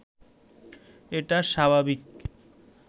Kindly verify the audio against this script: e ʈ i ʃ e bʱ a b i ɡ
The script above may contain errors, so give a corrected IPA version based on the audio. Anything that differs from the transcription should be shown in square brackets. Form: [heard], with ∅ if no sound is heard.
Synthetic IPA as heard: e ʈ [a] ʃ [a] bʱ a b i [k]